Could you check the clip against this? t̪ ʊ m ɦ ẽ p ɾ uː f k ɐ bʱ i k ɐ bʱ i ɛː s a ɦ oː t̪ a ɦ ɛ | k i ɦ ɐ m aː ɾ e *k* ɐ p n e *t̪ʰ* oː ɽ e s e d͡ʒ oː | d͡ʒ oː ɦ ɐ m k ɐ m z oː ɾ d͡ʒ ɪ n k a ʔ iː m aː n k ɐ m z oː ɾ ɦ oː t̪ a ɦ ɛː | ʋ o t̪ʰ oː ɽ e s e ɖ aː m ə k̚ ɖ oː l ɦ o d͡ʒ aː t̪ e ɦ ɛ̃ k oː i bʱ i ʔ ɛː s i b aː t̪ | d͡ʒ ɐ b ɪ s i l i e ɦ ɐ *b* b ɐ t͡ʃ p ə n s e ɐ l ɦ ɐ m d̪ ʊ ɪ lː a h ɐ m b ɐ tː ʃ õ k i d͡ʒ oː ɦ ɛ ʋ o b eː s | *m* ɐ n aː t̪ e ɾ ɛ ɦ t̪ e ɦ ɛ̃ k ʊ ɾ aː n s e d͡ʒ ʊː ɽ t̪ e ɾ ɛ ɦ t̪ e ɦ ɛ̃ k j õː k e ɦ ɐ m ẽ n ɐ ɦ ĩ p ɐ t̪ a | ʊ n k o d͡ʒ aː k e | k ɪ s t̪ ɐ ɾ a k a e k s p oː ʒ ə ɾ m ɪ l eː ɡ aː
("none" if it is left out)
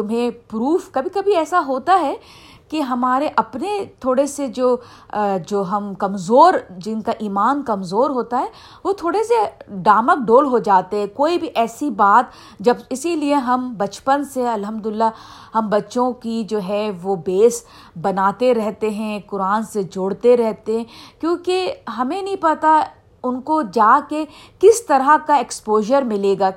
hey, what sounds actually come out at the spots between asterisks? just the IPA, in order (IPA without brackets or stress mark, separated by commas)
ʔ, t̪ʰ, m, b